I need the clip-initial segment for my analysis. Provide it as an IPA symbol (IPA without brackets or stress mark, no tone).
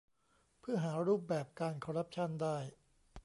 pʰ